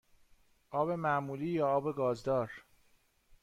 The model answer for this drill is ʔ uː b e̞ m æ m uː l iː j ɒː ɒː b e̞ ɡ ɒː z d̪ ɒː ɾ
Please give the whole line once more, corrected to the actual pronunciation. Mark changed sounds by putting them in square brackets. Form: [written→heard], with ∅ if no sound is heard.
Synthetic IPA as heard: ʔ [uː→ɒː] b e̞ m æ m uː l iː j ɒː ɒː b e̞ ɡ ɒː z d̪ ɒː ɾ